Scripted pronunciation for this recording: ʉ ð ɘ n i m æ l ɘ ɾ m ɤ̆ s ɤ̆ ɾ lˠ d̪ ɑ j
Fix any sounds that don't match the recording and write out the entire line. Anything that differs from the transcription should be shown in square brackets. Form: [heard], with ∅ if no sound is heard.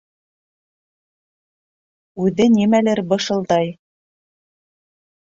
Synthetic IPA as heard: ʉ ð ɘ n i m æ l ɘ ɾ [b] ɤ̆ [ʃ] ɤ̆ [∅] lˠ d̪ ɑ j